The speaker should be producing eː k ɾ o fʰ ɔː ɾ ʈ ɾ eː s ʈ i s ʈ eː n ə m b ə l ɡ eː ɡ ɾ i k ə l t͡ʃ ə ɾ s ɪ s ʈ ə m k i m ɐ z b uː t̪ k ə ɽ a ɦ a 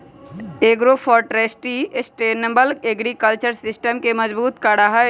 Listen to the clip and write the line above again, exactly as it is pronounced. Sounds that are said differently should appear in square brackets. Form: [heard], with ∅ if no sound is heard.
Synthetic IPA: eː [ɡ] ɾ o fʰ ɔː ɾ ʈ ɾ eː s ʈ i s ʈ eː n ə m b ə l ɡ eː ɡ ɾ i k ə l t͡ʃ ə ɾ s ɪ s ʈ ə m k [e] m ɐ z b uː t̪ k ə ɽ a ɦ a